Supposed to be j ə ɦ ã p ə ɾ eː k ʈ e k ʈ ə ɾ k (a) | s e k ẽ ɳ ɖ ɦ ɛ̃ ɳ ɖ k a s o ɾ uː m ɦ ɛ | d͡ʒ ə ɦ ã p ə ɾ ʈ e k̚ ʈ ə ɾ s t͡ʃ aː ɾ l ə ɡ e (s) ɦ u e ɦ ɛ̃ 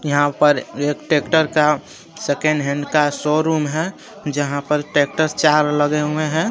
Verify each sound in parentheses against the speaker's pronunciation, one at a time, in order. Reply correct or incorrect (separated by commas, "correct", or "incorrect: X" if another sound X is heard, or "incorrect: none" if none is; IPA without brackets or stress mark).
correct, incorrect: none